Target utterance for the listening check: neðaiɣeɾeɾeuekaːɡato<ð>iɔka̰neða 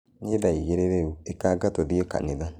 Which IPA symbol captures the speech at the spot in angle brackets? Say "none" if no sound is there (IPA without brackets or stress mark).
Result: ð